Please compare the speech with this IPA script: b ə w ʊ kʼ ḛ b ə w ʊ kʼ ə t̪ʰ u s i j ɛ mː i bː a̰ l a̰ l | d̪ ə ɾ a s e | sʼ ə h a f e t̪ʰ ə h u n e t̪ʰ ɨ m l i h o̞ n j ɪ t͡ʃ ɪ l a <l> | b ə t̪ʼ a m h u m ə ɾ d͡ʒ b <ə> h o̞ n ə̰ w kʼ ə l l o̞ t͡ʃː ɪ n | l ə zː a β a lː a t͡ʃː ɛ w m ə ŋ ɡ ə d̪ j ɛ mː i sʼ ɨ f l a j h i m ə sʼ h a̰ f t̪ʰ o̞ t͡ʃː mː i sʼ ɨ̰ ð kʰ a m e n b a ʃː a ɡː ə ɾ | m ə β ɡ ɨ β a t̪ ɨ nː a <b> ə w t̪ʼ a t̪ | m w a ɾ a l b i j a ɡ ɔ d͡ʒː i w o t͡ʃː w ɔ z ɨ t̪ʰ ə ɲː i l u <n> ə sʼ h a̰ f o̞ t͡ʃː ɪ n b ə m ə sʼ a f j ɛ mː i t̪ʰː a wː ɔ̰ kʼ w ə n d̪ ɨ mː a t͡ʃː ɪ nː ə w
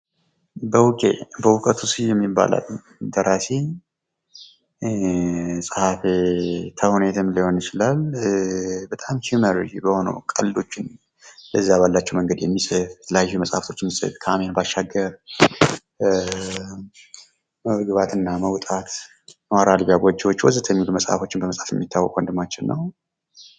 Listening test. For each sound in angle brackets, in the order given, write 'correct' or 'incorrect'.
correct, correct, incorrect: m, incorrect: m

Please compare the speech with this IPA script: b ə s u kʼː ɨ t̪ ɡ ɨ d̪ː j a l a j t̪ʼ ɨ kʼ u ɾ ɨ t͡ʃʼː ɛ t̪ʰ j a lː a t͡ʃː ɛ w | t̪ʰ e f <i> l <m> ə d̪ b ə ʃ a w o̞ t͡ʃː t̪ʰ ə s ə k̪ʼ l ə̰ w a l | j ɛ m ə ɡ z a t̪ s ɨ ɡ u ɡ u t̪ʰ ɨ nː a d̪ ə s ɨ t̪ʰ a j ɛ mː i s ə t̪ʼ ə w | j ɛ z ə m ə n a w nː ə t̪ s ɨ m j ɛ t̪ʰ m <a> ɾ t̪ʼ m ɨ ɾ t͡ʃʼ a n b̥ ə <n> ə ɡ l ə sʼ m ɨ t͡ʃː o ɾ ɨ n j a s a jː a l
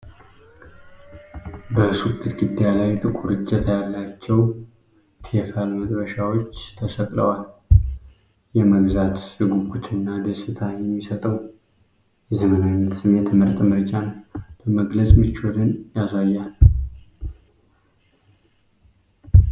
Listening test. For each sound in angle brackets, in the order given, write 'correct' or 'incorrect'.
incorrect: a, correct, incorrect: ə, incorrect: m

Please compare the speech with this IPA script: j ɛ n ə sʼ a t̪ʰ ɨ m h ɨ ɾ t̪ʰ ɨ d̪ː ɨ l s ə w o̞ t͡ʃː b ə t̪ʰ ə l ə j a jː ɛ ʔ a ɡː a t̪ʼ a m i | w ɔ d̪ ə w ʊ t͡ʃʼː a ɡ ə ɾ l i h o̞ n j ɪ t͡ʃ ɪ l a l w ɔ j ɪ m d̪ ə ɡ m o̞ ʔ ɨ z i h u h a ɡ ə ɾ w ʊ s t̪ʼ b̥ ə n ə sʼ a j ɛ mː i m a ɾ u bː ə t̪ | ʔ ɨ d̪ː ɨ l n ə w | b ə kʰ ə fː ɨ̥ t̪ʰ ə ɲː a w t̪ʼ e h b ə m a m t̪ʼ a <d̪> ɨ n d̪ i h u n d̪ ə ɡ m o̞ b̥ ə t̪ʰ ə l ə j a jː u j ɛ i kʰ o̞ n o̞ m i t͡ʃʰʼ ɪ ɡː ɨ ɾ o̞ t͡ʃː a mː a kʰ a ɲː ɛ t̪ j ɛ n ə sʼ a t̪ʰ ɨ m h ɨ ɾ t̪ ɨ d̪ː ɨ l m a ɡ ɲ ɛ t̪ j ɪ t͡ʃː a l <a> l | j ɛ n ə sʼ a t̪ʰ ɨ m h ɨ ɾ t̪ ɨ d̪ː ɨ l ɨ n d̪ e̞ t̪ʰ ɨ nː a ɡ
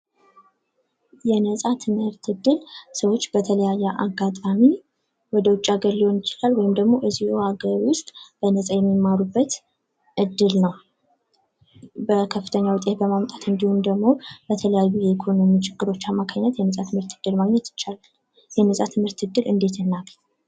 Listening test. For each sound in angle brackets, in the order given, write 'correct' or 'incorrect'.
incorrect: t̪, correct

